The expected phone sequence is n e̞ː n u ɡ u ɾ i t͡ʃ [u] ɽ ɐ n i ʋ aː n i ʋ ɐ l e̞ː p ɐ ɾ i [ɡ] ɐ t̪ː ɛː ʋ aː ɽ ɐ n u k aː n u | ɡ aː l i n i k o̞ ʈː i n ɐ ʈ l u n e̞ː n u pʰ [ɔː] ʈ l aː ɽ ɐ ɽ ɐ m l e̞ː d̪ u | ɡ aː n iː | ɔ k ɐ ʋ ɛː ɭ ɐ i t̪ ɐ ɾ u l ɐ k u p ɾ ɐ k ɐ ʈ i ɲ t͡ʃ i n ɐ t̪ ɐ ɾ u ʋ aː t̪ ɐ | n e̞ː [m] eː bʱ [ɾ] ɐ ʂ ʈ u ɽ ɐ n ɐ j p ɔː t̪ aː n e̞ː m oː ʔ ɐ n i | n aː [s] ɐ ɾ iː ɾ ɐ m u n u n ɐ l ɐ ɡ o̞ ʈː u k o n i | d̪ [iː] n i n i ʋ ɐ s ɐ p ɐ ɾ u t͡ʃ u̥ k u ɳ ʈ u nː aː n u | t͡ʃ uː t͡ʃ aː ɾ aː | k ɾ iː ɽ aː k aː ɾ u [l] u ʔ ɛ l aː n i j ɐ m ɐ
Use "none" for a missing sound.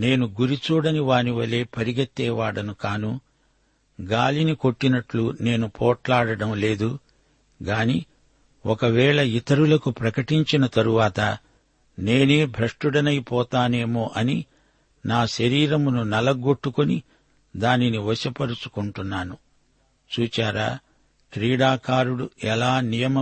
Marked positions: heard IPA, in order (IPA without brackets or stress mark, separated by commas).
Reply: uː, ɡ, ɔː, n, ɾ, ʃ, aː, ɽ